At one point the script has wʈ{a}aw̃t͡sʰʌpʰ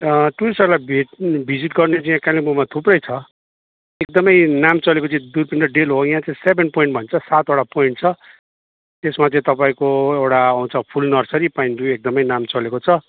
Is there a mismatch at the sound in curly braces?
no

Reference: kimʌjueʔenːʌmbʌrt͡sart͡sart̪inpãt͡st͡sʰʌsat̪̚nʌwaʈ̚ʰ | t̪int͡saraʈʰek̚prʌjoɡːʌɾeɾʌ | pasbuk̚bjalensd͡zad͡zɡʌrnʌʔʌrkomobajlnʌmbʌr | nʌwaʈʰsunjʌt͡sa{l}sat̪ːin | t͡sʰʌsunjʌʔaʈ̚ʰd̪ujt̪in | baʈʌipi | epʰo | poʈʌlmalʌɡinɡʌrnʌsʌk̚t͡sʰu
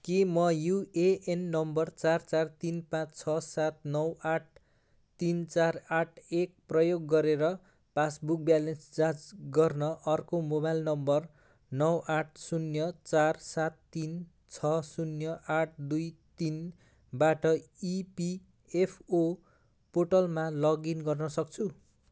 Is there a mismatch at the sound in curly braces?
yes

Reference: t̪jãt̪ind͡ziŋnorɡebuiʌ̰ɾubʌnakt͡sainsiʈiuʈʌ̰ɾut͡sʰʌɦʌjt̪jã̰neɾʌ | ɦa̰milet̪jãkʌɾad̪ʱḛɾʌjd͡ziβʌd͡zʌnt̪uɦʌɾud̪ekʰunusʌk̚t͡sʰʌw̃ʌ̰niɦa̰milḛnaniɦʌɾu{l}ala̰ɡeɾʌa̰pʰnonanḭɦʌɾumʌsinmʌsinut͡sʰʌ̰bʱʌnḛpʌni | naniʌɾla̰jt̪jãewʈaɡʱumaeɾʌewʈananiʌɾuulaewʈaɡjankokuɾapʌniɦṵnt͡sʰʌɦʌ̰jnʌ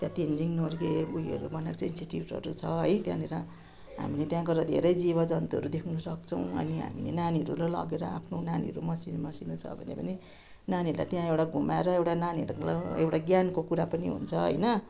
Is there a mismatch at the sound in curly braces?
no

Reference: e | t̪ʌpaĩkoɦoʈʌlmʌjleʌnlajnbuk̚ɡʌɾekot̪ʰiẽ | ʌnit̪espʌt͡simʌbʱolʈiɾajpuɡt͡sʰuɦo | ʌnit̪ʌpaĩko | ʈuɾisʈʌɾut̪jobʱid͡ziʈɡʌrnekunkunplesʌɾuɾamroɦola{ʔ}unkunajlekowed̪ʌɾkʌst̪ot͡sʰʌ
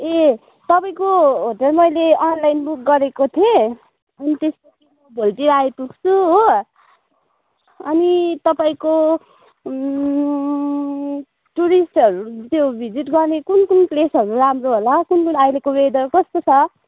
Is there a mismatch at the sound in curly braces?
yes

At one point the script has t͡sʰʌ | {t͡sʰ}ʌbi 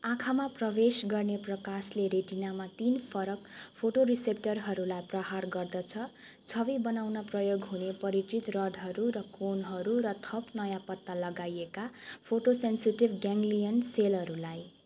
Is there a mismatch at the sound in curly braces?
no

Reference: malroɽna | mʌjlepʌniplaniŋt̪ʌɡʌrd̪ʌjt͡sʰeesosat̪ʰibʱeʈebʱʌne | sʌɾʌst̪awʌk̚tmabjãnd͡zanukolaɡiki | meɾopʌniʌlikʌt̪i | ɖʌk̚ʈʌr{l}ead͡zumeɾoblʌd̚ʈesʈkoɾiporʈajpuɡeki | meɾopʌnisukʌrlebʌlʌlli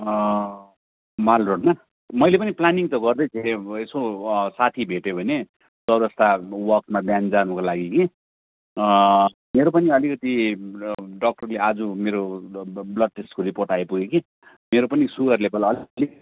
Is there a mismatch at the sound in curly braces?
no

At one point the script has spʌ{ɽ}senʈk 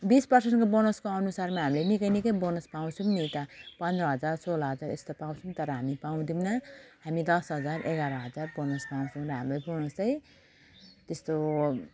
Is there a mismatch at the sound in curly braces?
yes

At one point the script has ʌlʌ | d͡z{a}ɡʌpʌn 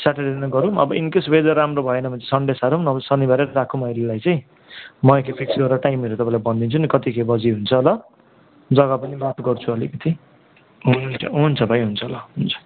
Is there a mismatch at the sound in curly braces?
yes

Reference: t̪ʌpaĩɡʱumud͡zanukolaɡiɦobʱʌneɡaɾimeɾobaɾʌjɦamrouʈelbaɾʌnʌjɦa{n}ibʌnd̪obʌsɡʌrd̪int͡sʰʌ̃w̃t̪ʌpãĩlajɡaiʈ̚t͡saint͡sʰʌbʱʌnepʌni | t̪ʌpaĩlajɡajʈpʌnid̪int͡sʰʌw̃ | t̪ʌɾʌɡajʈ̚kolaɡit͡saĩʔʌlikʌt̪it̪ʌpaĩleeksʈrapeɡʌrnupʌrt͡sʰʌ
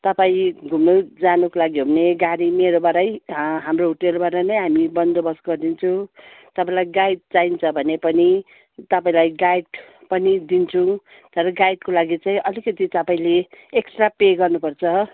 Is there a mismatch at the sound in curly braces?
yes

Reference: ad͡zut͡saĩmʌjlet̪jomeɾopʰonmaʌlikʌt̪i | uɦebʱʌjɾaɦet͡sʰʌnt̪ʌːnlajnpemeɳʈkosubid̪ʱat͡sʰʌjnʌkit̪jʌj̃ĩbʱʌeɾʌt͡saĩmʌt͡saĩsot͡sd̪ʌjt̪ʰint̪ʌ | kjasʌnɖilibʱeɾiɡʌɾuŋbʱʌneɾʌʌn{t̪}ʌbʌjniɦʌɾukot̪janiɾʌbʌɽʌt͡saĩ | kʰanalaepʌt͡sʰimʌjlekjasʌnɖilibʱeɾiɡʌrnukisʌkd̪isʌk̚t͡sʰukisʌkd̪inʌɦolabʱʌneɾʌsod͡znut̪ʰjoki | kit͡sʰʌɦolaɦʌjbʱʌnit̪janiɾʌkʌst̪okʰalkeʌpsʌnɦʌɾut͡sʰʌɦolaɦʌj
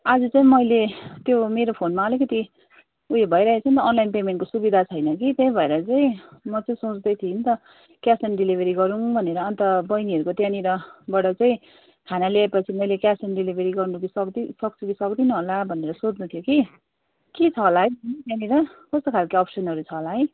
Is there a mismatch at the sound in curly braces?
no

